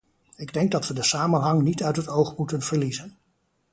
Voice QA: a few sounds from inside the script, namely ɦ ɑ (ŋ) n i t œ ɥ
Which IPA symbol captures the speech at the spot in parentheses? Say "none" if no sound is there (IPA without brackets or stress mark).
ŋ